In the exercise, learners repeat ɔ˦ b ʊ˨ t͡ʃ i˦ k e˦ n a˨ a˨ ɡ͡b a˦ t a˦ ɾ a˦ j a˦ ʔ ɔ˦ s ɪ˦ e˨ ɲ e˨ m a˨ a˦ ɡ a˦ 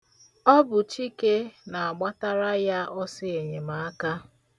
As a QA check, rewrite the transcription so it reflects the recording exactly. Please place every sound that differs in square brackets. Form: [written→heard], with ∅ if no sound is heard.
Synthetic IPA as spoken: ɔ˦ b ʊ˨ t͡ʃ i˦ k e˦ n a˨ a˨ ɡ͡b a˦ t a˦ ɾ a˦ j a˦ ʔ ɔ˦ s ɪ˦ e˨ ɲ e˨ m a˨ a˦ [ɡ→k] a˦